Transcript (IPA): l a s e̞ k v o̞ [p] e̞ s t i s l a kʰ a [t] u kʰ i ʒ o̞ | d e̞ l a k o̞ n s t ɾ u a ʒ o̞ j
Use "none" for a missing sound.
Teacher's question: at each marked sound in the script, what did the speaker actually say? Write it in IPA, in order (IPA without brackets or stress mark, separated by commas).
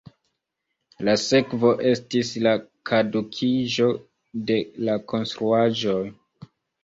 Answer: ʔ, d